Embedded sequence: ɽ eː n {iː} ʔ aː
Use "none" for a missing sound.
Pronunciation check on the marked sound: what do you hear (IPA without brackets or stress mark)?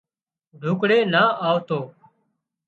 aː